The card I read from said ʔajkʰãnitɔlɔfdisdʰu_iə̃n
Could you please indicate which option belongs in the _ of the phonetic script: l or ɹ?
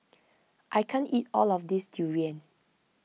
ɹ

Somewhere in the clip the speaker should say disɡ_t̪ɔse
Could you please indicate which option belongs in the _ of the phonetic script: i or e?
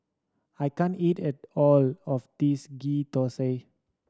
i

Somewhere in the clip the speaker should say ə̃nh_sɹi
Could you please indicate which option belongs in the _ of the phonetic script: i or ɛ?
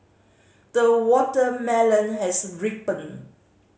ɛ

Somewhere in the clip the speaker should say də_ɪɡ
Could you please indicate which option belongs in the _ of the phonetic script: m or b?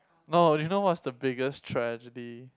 b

